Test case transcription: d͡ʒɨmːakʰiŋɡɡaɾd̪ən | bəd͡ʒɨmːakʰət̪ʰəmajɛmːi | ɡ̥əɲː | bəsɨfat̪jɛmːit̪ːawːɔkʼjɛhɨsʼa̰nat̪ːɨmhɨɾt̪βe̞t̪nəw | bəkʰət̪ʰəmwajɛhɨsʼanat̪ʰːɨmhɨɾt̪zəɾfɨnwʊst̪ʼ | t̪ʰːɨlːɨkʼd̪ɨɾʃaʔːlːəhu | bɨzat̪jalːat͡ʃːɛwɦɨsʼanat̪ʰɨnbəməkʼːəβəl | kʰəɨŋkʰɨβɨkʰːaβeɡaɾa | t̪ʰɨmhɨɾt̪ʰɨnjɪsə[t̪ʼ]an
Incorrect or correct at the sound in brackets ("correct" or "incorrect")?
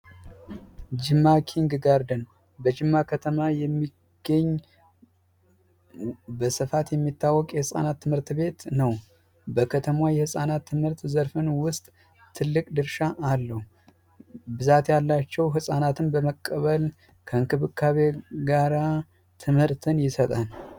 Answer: correct